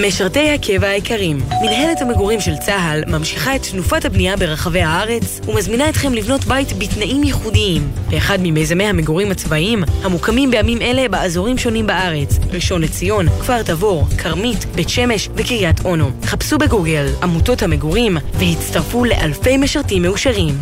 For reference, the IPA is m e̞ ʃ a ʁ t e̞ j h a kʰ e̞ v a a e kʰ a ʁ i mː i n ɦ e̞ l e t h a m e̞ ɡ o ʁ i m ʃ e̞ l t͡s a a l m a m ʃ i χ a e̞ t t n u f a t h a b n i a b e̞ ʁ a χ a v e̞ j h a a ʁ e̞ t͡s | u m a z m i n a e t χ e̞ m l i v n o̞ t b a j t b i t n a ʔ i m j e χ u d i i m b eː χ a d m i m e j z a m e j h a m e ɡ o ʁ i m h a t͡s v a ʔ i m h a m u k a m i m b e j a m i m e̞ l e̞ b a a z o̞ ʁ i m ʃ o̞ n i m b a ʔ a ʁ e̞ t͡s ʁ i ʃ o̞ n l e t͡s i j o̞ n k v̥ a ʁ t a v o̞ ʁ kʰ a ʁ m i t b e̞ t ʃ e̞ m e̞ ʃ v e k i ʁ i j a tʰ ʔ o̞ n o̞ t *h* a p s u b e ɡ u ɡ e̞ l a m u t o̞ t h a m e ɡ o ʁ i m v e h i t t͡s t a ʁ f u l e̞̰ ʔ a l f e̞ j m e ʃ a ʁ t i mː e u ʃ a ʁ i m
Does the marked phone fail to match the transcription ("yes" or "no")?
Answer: yes